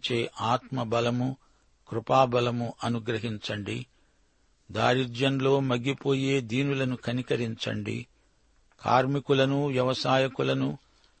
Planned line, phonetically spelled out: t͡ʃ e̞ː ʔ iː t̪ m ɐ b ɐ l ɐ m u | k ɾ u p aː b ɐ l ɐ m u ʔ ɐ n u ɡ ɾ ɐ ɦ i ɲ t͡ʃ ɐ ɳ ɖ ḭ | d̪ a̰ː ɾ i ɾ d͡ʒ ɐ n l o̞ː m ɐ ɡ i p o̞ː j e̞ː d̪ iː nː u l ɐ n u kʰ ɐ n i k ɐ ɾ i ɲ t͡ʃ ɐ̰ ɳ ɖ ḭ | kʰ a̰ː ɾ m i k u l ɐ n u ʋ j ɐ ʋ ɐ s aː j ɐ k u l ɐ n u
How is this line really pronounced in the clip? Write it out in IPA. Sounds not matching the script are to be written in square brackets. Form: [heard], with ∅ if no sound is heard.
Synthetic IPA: t͡ʃ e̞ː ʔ [aː] t̪ m ɐ b ɐ l ɐ m u | k ɾ u p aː b ɐ l ɐ m u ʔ ɐ n u ɡ ɾ ɐ ɦ i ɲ t͡ʃ ɐ ɳ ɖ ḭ | d̪ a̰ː ɾ i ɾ d͡ʒ ɐ n l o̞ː m ɐ ɡ i p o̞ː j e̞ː d̪ iː [n] u l ɐ n u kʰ ɐ n i k ɐ ɾ i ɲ t͡ʃ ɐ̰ ɳ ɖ ḭ | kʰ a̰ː ɾ m i k u l ɐ n u ʋ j ɐ ʋ ɐ s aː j ɐ k u l ɐ n u